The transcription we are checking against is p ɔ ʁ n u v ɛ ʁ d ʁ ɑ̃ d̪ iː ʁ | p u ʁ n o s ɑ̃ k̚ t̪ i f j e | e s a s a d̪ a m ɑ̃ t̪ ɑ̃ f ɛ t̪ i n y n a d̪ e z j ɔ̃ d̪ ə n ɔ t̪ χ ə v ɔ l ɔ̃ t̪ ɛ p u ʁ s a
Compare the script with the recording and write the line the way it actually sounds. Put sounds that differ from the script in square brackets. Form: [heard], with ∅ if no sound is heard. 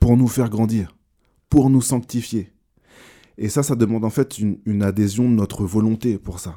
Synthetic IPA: p [u] ʁ n u [f] ɛ ʁ [ɡ] ʁ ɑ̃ d̪ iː ʁ | p u ʁ n [u] s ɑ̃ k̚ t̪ i f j e | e s a s a d̪ [ə] m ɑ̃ [d̪] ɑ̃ f ɛ t̪ [y] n y n a d̪ e z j ɔ̃ d̪ ə n ɔ t̪ χ ə v ɔ l ɔ̃ t̪ [e] p u ʁ s a